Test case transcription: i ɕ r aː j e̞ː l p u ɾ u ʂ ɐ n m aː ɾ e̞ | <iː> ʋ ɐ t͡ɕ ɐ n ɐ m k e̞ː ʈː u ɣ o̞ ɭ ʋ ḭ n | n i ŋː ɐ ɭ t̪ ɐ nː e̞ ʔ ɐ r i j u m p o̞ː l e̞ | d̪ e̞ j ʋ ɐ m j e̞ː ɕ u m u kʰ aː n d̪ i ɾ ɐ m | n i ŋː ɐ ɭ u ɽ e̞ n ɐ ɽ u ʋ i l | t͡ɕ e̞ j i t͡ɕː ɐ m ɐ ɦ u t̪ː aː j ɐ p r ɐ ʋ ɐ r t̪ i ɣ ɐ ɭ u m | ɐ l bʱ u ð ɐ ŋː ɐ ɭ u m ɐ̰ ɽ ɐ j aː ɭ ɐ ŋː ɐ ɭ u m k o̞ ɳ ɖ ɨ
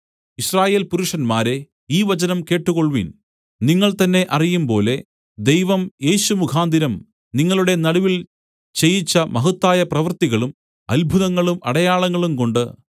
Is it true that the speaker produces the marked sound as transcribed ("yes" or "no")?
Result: yes